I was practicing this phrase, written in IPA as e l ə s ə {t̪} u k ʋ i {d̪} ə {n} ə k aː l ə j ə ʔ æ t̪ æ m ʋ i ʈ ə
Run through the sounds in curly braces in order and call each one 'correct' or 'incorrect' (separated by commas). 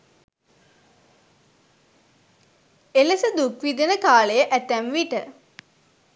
incorrect, correct, correct